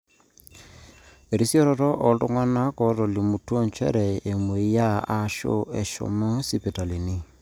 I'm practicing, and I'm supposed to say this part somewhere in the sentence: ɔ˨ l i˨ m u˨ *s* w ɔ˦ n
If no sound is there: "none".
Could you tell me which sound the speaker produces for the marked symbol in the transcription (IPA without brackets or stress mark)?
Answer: t